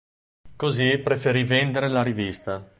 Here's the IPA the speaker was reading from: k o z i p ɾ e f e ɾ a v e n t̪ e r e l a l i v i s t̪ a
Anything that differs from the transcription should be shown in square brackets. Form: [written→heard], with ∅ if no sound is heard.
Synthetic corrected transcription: k o z i p ɾ e f e ɾ [a→i] v e n [t̪→d̪] e [r→ɾ] e l a [l→ɾ] i v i s t̪ a